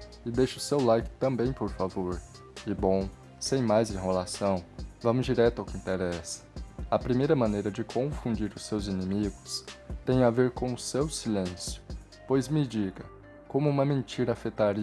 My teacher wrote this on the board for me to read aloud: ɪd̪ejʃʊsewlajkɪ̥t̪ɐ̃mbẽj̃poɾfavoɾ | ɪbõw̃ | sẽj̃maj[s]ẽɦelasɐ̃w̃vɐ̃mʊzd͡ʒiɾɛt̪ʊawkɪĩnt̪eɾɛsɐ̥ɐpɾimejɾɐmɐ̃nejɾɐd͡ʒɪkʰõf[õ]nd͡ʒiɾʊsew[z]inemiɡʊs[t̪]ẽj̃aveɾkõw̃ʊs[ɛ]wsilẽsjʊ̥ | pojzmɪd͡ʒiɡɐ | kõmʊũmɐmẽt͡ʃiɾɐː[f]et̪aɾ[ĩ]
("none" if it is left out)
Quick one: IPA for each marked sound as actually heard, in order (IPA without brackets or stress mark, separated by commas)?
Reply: z, ũ, z, t̪, e, f, i